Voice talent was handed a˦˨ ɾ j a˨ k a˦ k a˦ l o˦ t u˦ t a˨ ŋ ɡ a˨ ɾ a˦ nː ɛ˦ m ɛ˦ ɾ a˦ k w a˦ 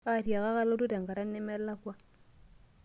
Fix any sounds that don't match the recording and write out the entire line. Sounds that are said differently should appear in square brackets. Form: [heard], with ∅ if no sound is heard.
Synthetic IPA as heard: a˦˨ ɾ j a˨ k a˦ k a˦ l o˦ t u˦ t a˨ ŋ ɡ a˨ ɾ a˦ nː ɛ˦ m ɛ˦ [l] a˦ k w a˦